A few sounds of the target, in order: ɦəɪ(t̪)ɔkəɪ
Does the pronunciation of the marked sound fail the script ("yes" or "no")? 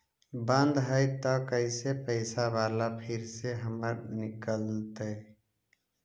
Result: no